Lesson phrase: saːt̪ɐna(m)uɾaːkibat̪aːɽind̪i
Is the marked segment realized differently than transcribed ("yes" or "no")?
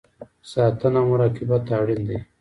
no